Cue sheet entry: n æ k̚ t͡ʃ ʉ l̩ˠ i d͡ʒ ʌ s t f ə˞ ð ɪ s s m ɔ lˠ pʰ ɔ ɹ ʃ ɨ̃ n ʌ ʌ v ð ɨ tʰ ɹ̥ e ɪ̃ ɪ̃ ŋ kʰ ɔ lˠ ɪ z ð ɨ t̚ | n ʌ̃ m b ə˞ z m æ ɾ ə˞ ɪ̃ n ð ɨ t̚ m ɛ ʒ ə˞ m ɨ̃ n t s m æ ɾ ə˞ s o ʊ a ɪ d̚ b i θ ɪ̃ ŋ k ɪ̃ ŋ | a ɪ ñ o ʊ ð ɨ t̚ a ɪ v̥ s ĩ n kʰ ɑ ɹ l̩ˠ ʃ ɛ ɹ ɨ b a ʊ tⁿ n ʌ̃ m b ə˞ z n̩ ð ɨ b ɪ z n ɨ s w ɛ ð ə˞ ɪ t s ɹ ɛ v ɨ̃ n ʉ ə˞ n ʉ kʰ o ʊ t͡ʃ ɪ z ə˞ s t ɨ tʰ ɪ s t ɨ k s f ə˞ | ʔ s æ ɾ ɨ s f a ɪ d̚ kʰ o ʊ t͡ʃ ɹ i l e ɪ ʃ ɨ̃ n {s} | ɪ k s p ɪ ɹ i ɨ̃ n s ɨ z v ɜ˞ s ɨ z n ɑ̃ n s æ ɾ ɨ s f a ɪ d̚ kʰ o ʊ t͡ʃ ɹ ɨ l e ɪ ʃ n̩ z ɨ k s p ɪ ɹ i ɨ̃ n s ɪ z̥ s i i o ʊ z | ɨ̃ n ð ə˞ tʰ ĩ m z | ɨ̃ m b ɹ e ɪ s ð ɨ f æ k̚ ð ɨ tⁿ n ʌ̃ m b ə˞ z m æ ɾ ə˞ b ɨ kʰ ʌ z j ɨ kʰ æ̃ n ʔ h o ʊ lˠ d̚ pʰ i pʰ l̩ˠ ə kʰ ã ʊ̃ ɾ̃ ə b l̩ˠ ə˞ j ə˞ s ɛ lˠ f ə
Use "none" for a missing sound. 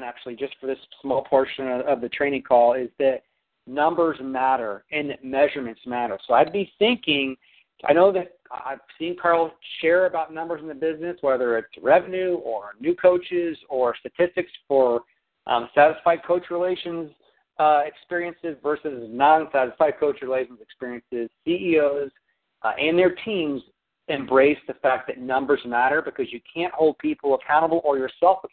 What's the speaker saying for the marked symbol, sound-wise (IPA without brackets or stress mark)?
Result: z